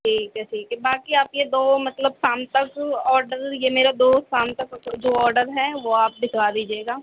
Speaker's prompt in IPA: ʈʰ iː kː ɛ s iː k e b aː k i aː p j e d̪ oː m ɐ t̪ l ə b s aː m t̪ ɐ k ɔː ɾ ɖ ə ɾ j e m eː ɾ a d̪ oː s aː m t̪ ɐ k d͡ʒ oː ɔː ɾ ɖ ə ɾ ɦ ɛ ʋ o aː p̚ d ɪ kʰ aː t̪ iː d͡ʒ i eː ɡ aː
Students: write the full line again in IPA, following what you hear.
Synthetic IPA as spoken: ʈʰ iː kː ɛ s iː k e b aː k i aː p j e d̪ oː m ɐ t̪ l ə b s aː m t̪ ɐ k ɔː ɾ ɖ ə ɾ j e m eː ɾ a d̪ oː s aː m t̪ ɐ k d͡ʒ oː ɔː ɾ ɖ ə ɾ ɦ ɛ ʋ o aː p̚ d ɪ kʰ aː d̪ iː d͡ʒ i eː ɡ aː